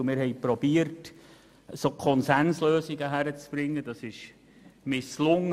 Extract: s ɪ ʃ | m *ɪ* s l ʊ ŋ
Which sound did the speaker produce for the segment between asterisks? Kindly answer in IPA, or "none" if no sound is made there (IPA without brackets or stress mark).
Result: ɪ